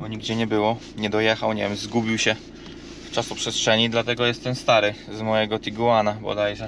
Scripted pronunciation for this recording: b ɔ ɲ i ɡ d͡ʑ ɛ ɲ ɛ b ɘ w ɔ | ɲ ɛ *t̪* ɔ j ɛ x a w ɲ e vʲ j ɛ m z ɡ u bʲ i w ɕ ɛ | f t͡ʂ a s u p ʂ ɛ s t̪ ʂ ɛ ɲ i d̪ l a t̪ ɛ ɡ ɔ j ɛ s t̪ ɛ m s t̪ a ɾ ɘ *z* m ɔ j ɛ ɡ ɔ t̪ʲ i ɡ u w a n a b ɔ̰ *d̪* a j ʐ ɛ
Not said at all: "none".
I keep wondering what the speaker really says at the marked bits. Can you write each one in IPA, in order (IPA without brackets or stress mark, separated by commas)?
d̪, z, d̪